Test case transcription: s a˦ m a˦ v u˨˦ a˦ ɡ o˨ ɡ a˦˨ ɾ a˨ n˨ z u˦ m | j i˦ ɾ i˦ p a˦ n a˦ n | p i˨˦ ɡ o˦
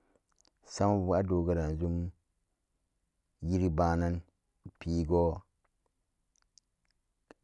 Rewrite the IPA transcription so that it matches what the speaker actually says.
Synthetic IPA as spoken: s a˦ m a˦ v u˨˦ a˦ d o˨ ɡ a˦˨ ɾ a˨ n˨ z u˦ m | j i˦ ɾ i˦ b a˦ n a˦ n | p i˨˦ ɡ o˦